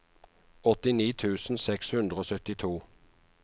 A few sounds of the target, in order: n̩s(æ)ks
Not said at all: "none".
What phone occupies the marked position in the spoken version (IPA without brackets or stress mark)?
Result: ɛ